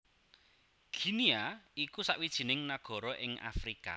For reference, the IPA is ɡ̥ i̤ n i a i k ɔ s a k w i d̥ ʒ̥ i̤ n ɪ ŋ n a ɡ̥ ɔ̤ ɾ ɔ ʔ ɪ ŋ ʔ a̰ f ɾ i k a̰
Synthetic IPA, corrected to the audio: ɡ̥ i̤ n i a i k u s a ʔ w i d̥ ʒ̥ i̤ n ɪ ŋ n a ɡ̥ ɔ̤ ɾ ɔ ʔ ɪ ŋ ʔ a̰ f ɾ i k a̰